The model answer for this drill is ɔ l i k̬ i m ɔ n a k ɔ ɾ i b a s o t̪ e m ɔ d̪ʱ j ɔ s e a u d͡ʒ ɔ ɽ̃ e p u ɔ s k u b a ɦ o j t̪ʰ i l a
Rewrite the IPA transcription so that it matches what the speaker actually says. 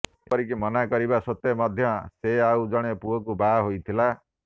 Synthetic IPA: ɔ ɾ i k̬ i m ɔ n a k ɔ ɾ i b a s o t̪ e m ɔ d̪ʱ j ɔ s e a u d͡ʒ ɔ ɽ̃ e p u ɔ k u b a ɦ o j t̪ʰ i l a